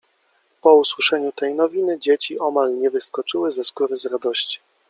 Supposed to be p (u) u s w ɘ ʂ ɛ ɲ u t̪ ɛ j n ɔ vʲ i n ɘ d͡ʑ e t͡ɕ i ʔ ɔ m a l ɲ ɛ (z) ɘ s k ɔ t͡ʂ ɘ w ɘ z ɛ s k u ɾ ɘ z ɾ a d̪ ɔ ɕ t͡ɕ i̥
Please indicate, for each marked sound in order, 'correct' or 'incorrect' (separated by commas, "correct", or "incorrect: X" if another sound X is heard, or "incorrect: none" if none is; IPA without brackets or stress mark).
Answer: incorrect: ɔ, incorrect: v